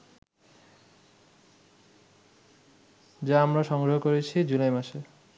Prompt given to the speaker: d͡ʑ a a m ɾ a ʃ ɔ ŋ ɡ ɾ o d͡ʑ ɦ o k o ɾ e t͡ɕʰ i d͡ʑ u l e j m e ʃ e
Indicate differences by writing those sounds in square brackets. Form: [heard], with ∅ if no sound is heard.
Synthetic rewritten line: d͡ʑ a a m ɾ a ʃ ɔ ŋ ɡ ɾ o [∅] ɦ o k o ɾ e t͡ɕʰ i d͡ʑ u l [a] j m [a] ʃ e